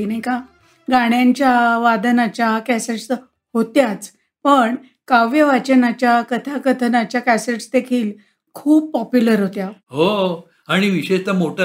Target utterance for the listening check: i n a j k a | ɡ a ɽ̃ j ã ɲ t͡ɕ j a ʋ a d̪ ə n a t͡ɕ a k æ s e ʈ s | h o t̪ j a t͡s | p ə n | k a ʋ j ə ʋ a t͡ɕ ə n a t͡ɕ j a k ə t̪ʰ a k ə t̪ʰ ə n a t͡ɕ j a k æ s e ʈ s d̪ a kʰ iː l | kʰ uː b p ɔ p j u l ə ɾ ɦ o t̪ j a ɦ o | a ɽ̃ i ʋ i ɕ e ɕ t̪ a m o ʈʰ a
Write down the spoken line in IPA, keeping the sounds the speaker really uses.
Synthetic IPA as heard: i n a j k a | ɡ a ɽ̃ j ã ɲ t͡ɕ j a ʋ a d̪ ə n a t͡ɕ a k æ s e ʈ s | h o t̪ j a t͡s | p ə ɳ | k a ʋ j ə ʋ a t͡ɕ ə n a t͡ɕ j a k ə t̪ʰ a k ə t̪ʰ ə n a t͡ɕ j a k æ s e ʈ s d̪ e kʰ iː l | kʰ uː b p ɔ p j u l ə ɾ ɦ o t̪ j a ɦ o | a ɽ̃ i ʋ i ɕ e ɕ t̪ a m o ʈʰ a